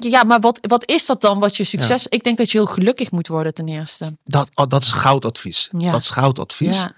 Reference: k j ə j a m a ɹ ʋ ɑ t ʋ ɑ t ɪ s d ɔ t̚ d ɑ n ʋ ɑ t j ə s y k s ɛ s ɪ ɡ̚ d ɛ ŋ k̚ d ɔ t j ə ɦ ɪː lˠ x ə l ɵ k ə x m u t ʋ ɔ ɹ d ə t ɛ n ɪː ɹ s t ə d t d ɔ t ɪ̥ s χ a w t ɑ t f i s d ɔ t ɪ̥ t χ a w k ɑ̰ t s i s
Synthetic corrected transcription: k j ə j a m a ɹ ʋ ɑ t ʋ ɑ t ɪ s d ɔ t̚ d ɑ n ʋ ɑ t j ə s y k s ɛ s ɪ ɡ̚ d ɛ ŋ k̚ d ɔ t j ə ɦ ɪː lˠ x ə l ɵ k ə x m u t ʋ ɔ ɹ d ə t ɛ n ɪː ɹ s t ə d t d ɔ t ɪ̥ s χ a w t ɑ t f i s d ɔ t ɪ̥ s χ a w t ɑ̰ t f i s